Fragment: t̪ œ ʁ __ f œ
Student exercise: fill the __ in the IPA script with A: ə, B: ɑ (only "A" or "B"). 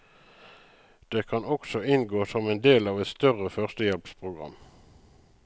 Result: A